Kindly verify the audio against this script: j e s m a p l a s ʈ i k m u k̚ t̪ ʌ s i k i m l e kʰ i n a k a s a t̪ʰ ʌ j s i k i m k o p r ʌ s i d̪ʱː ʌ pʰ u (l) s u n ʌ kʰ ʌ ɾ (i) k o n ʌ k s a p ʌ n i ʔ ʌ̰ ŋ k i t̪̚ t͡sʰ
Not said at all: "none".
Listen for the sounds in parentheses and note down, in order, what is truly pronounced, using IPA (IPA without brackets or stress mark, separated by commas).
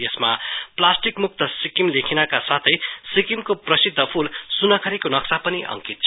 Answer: l, i